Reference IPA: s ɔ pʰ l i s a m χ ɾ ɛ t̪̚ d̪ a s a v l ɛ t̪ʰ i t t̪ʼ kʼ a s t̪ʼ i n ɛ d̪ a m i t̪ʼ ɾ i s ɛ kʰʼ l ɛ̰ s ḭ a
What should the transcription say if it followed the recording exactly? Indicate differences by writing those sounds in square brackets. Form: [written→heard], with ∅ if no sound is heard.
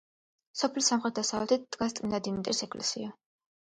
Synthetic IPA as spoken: s ɔ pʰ l i s a m χ ɾ ɛ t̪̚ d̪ a s a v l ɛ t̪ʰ i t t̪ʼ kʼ a s t̪ʼ i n [ɛ→a] d̪ [a→i] m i t̪ʼ ɾ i s ɛ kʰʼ l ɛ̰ s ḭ a